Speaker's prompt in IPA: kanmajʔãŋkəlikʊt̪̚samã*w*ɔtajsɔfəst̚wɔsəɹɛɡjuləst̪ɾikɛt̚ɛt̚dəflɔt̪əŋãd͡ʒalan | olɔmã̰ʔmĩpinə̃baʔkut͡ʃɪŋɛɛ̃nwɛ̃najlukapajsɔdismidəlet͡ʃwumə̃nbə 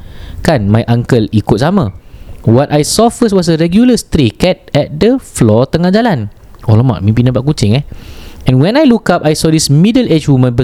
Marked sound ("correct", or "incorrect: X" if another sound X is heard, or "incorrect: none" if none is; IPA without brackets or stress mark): correct